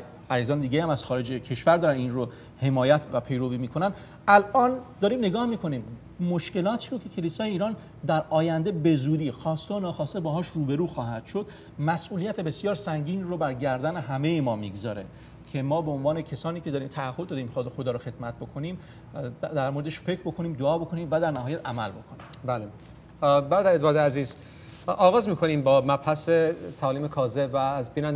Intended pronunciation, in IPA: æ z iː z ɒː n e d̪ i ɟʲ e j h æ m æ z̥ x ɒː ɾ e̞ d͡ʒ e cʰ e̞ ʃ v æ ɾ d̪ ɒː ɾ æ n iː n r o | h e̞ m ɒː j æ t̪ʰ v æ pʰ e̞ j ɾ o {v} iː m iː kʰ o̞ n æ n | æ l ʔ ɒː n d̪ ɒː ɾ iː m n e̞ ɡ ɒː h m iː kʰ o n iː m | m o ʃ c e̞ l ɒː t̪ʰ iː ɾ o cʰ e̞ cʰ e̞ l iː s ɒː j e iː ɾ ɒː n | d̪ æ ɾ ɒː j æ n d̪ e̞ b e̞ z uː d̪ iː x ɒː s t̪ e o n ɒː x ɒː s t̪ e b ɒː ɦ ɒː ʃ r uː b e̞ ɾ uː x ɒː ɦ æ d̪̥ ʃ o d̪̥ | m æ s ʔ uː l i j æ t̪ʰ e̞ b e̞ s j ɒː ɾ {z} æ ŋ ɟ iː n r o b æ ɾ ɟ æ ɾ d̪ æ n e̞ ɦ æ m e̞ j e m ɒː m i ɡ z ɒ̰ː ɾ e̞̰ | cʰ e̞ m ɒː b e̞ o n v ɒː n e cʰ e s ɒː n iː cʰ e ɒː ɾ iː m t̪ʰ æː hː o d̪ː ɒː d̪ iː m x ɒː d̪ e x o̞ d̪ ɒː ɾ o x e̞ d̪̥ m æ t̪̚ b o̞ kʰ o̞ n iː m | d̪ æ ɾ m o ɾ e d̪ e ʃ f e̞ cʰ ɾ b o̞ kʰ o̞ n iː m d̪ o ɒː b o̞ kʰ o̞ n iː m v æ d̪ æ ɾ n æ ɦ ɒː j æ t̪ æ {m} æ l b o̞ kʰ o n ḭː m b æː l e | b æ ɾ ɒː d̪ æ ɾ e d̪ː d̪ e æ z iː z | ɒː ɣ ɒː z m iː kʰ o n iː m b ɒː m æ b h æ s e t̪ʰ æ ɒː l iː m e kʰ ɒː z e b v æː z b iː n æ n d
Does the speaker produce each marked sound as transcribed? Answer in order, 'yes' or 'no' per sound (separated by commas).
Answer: yes, no, yes